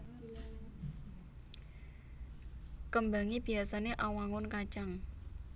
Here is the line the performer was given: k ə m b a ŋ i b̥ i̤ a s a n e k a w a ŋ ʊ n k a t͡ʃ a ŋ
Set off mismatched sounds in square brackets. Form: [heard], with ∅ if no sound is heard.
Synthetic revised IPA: k ə m b a ŋ i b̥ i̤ a s a n e [ʔ] a w a ŋ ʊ n k a t͡ʃ a ŋ

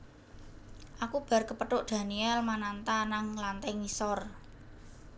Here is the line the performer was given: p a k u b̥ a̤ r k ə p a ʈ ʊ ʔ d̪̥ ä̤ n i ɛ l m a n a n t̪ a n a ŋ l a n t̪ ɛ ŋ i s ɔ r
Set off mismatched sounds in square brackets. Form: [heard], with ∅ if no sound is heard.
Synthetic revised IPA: [ʔ] a k u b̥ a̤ r k ə p [ə] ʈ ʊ ʔ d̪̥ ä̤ n i ɛ l m a n a n t̪ a n a ŋ l a n t̪ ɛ ŋ i s ɔ r

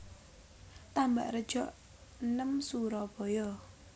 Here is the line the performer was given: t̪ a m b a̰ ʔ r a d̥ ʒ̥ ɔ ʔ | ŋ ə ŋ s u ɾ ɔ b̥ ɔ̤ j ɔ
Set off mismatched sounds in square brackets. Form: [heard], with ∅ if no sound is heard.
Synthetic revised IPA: t̪ a m b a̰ ʔ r [ə] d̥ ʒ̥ ɔ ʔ | [n] ə [m] s u ɾ ɔ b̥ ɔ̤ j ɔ

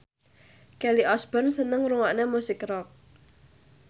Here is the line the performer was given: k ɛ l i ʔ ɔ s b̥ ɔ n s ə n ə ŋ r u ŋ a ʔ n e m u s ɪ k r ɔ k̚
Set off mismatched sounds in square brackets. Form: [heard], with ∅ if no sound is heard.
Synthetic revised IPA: k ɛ l i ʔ ɔ s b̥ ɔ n s ə n ə ŋ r u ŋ a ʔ n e m u s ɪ k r ɔ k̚

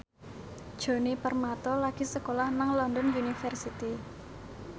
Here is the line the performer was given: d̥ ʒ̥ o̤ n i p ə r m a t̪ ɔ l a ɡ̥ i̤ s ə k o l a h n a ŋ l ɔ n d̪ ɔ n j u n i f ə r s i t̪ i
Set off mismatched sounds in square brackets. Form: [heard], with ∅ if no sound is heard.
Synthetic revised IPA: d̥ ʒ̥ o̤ n i p ə r m a t̪ ɔ l a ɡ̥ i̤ s ə k o l a h n a ŋ l ɔ n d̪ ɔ n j u n i f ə r s i t̪ i

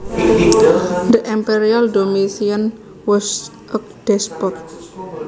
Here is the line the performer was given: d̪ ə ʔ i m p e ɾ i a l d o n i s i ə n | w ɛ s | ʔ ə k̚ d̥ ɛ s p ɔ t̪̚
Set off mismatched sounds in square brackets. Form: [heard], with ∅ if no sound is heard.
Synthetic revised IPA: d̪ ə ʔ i m p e ɾ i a l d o [m] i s i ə n | w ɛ s | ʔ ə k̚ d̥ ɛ s p ɔ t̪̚

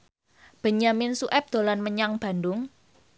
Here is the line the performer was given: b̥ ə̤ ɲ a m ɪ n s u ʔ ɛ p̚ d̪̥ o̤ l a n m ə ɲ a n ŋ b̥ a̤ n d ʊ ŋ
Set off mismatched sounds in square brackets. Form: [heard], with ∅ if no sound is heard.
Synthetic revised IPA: b̥ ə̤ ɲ a m ɪ n s u ʔ ɛ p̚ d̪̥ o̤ l a n m ə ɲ a [∅] ŋ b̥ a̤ n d ʊ ŋ

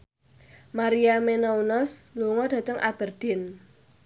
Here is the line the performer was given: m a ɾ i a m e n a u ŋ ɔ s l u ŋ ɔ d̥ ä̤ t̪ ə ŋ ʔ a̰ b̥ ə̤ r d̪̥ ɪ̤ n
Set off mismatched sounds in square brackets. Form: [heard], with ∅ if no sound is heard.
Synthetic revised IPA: m a ɾ i a m e n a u [n] ɔ s l u ŋ ɔ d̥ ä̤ t̪ ə ŋ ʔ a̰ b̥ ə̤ r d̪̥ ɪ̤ n

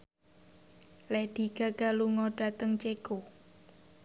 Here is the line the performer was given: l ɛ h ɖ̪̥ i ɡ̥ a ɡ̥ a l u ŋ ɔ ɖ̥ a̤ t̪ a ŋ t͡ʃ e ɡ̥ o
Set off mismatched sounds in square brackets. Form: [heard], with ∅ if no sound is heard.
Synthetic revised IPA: l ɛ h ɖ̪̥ i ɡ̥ a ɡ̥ a l u ŋ ɔ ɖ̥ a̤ t̪ [ə] ŋ t͡ʃ e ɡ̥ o

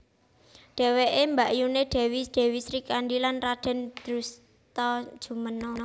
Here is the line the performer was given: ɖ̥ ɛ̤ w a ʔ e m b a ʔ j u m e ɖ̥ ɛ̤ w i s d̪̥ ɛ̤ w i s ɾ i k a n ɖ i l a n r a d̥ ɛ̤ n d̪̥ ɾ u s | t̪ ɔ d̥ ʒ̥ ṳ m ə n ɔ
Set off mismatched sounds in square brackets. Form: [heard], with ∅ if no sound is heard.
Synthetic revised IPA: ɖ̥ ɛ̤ w [e] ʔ e m b a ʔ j u [n] e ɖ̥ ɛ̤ w i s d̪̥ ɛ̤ w i s ɾ i k a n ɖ i l a n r a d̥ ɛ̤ n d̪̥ ɾ u s | t̪ ɔ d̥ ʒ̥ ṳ m ə n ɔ

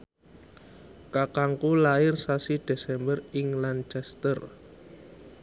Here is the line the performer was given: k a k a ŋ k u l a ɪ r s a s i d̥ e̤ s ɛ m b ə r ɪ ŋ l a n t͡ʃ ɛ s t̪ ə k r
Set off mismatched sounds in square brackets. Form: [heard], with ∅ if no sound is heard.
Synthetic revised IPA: k a k a ŋ k u l a ɪ r s a s i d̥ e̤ s ɛ m b ə r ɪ ŋ l a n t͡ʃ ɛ s t̪ ə [∅] r

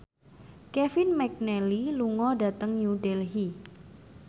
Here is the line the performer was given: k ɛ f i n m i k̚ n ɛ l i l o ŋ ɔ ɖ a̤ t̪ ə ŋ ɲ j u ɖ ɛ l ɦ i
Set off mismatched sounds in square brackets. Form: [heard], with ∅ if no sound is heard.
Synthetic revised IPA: k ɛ f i n m [ɛ] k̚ n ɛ l i l [u] ŋ ɔ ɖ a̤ t̪ ə ŋ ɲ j u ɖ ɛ l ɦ i

